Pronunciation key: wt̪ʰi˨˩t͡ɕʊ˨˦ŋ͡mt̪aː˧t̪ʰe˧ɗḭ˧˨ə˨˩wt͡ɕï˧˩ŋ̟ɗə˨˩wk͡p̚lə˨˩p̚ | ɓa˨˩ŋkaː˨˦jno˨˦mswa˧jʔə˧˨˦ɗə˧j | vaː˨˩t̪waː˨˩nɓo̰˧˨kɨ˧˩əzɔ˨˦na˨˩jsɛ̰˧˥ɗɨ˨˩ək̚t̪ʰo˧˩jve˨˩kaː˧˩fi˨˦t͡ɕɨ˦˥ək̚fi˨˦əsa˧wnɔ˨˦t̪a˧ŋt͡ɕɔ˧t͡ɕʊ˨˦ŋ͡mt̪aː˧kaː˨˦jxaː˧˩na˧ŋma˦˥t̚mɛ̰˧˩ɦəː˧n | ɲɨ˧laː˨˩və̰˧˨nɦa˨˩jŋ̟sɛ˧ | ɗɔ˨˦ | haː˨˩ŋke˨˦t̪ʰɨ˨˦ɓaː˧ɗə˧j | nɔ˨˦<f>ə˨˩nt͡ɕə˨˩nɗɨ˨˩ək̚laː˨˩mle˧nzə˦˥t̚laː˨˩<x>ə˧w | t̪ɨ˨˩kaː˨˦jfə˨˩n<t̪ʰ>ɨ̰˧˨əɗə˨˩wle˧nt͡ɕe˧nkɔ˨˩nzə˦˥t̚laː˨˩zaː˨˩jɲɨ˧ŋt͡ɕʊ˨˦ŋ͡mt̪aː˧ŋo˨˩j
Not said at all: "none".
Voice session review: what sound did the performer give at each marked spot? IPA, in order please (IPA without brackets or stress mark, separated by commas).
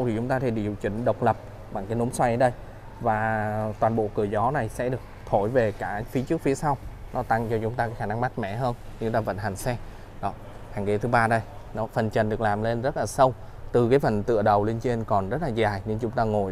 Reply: f, s, t̪